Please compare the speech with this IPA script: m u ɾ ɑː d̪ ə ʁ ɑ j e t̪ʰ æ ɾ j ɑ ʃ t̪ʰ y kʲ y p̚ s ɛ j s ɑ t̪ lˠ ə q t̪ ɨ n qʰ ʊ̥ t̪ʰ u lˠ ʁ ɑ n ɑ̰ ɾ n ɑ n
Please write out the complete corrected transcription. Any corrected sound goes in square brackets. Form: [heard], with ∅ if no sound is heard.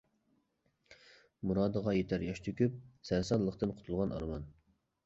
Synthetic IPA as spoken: m u ɾ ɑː d̪ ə ʁ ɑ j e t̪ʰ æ ɾ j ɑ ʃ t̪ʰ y kʲ y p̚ s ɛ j s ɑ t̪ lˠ ə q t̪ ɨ n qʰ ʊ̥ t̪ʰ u lˠ ʁ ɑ n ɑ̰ ɾ [m] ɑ n